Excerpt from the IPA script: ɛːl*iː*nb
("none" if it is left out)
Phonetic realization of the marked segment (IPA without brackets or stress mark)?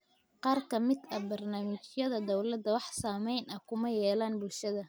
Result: aː